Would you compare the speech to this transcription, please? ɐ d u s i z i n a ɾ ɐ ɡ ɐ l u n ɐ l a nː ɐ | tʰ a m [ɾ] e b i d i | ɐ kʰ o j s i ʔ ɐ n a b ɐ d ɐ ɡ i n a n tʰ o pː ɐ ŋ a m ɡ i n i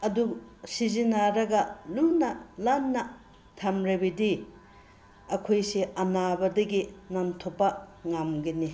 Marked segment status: correct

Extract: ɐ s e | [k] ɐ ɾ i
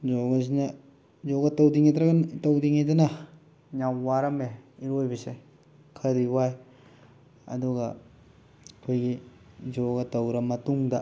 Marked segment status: incorrect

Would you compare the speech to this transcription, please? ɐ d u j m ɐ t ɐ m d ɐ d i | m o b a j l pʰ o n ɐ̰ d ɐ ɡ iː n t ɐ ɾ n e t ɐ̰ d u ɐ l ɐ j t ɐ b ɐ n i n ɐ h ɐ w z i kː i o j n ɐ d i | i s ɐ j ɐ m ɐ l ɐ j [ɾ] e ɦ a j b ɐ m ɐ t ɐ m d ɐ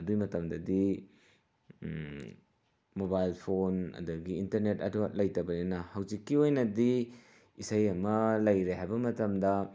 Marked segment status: correct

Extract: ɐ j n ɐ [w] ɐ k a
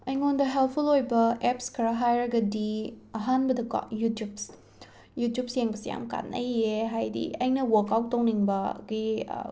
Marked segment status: correct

